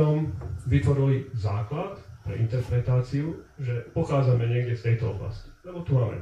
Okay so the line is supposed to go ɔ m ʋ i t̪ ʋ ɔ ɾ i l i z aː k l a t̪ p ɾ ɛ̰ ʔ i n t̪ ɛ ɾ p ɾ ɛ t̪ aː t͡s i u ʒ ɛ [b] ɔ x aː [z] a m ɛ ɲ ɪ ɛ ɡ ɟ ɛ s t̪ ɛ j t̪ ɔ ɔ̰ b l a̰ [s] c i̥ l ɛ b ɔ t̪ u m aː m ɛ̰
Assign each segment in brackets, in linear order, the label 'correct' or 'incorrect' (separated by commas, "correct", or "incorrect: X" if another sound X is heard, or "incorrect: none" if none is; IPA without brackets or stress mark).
incorrect: p, incorrect: d͡z, correct